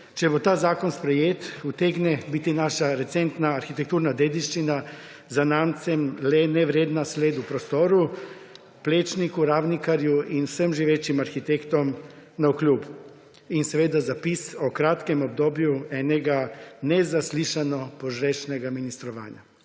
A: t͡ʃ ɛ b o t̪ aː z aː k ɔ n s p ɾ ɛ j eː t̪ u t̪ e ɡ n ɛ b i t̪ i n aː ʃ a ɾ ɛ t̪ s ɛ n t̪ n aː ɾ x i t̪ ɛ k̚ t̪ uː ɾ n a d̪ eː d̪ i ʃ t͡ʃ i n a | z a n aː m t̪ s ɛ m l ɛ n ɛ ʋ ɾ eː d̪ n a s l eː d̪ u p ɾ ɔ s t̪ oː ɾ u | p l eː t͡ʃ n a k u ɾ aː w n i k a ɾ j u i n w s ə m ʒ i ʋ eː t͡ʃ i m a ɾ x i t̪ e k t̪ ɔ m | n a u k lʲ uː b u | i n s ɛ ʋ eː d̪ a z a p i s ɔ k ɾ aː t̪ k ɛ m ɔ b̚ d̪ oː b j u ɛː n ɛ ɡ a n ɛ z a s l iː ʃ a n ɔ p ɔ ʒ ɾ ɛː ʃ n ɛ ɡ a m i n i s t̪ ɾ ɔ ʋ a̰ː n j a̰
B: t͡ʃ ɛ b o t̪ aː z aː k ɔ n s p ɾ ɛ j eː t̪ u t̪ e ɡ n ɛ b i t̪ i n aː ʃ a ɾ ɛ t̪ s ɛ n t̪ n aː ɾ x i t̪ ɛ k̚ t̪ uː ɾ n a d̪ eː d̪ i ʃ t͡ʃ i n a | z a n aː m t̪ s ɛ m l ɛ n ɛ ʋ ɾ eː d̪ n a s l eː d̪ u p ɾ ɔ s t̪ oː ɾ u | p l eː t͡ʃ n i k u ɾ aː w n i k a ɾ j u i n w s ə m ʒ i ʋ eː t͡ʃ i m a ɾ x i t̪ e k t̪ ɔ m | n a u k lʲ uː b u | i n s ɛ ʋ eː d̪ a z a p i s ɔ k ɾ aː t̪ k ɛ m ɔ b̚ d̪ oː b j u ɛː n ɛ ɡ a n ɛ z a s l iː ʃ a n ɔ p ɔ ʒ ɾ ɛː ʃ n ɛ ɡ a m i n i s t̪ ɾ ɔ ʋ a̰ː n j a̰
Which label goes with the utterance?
B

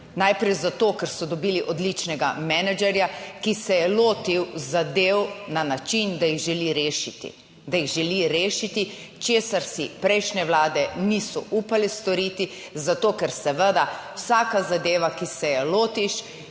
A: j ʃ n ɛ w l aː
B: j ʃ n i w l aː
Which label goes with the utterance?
A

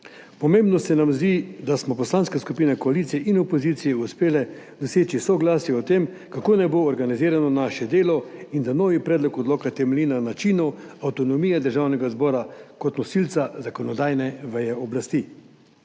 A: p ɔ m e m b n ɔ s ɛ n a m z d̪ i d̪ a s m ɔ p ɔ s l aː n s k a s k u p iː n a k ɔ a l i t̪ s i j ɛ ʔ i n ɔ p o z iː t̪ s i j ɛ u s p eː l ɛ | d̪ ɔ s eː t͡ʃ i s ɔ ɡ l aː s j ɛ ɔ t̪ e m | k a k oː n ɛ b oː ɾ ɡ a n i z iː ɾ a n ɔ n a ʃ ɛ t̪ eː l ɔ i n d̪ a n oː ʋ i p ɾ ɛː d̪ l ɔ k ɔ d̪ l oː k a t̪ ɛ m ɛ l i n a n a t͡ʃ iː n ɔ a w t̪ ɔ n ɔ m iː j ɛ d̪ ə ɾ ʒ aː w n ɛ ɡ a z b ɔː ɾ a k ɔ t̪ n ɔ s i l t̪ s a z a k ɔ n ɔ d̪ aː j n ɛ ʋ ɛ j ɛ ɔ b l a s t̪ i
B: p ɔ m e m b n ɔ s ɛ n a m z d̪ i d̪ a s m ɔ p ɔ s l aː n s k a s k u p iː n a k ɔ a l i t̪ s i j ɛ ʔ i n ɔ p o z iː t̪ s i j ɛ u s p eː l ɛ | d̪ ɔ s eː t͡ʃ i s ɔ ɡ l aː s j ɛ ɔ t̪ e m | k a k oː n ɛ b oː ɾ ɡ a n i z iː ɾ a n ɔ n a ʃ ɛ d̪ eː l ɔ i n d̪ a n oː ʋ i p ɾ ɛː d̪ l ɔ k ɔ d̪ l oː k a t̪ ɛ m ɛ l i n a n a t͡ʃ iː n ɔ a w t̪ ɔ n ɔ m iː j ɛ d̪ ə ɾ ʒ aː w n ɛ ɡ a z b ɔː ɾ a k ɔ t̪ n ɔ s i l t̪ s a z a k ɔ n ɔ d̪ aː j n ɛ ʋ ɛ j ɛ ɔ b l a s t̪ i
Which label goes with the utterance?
B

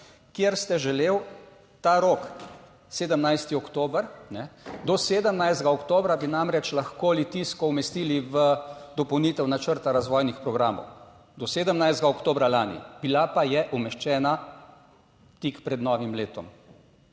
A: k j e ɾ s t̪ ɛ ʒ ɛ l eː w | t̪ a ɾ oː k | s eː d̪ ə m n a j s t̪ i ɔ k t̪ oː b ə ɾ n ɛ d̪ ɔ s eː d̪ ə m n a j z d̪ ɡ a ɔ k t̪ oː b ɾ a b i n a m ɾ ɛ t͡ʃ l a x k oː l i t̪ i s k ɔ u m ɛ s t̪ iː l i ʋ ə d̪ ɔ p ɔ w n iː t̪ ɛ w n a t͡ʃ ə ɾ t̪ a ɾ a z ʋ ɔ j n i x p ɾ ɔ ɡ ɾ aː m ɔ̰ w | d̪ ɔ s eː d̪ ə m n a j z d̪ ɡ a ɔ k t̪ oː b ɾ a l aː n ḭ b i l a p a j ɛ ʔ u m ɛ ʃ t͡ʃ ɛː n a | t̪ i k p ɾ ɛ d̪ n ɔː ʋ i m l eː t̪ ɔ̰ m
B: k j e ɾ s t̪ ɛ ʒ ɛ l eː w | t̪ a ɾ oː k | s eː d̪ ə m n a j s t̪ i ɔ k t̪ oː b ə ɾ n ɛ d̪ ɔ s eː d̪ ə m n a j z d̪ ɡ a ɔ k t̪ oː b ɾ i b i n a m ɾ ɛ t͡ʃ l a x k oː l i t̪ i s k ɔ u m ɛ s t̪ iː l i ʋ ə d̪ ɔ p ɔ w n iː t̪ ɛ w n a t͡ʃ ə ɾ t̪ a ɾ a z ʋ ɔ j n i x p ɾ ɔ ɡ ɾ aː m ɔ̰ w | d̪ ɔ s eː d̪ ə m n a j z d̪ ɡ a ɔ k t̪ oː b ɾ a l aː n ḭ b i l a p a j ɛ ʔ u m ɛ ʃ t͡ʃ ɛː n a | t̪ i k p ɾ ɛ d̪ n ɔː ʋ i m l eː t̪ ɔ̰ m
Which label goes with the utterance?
A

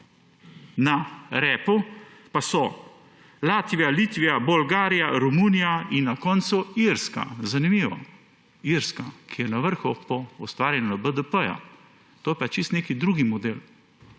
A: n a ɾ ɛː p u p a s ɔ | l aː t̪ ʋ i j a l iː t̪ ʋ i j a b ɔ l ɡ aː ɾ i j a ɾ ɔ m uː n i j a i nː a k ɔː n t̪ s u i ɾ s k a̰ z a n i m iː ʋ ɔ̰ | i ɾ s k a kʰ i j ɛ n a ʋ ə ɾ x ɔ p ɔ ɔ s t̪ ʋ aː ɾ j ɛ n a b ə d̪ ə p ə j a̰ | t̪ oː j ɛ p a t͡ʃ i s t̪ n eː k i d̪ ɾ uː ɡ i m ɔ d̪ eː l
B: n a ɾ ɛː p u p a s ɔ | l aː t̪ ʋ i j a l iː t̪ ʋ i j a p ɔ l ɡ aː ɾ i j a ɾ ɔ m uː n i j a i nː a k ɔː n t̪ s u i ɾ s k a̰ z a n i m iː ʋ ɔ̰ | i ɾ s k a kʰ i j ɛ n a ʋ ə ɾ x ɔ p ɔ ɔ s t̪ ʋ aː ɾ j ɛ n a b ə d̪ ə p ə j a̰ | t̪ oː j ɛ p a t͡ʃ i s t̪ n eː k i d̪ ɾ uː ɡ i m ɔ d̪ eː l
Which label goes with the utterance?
A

